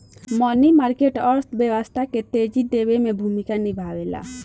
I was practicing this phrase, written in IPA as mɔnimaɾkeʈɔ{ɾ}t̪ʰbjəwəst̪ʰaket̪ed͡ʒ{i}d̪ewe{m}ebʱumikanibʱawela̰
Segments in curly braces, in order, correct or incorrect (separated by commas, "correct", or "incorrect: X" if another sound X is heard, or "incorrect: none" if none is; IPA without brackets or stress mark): correct, correct, correct